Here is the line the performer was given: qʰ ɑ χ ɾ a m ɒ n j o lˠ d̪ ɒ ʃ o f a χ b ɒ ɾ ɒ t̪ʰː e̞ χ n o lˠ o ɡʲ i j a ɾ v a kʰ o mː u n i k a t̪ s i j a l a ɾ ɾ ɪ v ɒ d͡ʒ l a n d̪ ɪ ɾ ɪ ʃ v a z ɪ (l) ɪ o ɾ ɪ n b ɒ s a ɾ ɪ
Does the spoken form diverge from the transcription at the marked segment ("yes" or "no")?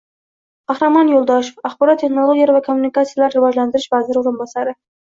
yes